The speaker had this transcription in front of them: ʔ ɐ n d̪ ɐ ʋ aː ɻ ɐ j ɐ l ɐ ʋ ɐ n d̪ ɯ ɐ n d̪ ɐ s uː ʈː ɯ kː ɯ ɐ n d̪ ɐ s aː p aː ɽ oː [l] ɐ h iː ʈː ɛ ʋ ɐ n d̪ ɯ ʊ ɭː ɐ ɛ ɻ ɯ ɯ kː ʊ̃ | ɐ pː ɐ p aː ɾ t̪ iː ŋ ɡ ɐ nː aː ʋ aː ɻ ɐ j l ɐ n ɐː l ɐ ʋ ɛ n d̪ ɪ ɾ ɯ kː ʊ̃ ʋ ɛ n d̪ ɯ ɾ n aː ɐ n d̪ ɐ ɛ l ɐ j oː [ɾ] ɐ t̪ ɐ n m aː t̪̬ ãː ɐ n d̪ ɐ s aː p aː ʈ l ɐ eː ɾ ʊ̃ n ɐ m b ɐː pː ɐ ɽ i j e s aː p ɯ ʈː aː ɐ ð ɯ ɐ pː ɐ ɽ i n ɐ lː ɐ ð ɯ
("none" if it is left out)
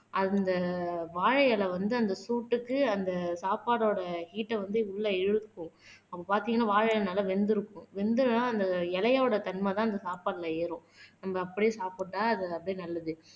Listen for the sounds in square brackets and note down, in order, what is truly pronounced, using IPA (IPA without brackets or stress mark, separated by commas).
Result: ɽ, ɽ